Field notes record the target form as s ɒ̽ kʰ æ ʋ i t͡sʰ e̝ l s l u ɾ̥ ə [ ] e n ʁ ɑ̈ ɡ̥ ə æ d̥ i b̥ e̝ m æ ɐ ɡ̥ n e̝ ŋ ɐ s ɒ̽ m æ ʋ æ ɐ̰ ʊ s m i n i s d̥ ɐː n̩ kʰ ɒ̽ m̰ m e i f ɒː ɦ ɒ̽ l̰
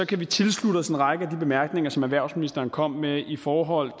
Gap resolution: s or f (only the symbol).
s